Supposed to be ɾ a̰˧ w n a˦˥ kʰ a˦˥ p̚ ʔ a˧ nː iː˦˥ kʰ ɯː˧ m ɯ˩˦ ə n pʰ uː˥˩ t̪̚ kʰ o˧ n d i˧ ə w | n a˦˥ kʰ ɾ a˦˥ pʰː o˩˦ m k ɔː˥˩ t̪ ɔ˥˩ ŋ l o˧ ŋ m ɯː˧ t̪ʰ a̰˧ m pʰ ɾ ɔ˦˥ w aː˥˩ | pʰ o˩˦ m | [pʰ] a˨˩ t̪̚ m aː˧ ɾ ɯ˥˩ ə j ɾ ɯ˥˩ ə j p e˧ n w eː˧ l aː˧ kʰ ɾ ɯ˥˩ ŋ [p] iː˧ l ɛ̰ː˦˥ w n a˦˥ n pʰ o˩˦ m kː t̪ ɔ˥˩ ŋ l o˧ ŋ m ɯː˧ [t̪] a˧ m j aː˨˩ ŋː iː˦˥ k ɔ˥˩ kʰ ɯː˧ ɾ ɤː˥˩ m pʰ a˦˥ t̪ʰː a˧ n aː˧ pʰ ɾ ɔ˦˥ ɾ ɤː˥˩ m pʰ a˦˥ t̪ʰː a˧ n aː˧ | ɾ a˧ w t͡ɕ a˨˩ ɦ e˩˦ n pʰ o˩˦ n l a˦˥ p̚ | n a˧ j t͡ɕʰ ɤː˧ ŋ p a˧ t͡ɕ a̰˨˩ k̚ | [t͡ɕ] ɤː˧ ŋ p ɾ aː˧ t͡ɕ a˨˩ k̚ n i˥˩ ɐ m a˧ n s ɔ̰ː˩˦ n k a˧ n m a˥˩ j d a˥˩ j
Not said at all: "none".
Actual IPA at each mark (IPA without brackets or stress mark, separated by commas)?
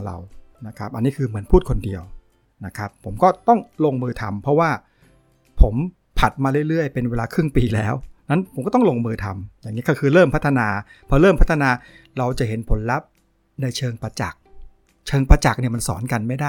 pʰ, p, t̪ʰ, t͡ɕʰ